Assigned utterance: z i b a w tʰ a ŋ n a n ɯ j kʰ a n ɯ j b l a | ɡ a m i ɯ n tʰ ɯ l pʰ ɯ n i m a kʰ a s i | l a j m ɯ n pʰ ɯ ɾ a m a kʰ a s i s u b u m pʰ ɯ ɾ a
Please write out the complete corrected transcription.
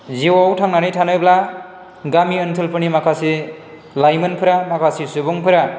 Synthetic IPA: z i w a w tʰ a ŋ n a n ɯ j tʰ a n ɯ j b l a | ɡ a m i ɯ n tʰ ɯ l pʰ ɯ n i m a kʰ a s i | l a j m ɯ n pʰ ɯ ɾ a m a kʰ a s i s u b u ŋ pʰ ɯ ɾ a